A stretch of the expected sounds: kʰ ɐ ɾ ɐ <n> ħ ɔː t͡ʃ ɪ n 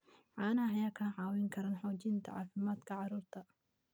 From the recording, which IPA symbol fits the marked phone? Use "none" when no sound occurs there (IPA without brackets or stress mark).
n